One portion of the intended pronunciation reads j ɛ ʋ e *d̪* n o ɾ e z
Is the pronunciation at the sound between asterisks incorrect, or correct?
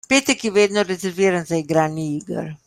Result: correct